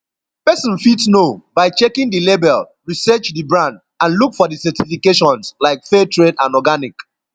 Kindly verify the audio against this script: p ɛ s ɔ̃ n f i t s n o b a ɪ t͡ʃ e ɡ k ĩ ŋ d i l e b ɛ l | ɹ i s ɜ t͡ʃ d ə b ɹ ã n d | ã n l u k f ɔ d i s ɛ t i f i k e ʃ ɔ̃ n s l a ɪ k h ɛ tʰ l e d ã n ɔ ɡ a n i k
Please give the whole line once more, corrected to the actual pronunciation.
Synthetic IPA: p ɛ s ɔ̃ n f i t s n o b a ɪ t͡ʃ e k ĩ ŋ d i l e b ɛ l | ɹ i s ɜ t͡ʃ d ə b ɹ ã n d | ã n l u k f ɔ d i s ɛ t i f i k e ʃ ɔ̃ n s l a ɪ k f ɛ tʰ ɹ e d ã n ɔ ɡ a n i k